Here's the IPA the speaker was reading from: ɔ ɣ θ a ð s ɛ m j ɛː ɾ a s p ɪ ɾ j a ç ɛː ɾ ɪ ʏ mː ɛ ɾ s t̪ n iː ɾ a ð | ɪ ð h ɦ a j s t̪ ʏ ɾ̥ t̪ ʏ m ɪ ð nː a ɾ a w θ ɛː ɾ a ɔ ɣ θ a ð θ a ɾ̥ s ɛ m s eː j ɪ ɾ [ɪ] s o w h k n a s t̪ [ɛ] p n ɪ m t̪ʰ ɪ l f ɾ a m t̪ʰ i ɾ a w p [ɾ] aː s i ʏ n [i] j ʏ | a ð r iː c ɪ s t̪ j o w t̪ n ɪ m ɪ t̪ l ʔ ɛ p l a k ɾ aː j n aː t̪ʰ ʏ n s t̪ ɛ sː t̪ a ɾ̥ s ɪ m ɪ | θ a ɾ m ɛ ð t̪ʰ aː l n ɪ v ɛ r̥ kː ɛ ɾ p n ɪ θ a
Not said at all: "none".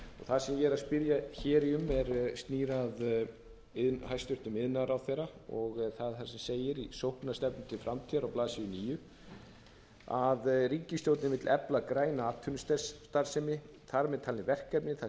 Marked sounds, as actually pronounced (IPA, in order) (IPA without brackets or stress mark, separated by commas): i, ɛ, l, iː